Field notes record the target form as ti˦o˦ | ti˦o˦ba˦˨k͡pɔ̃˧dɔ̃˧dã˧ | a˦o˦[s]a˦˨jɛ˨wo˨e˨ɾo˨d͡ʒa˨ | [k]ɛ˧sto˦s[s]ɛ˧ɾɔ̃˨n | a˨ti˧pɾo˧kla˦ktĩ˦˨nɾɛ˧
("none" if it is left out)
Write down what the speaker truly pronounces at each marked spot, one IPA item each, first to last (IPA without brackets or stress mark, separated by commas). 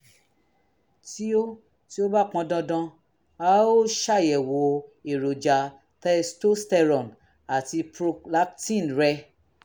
ʃ, t, t